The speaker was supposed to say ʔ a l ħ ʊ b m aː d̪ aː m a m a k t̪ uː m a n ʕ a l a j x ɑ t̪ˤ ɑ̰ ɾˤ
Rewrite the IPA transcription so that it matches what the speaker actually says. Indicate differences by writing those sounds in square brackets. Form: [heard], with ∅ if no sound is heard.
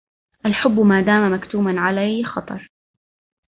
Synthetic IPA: ʔ a l ħ ʊ [bː] m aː d̪ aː m a m a k t̪ uː m a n ʕ a l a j x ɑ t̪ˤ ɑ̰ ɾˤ